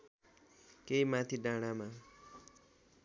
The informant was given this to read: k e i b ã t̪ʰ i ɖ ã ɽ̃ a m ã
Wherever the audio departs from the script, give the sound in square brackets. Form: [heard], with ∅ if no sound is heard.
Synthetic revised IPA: k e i [m] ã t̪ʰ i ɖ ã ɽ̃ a m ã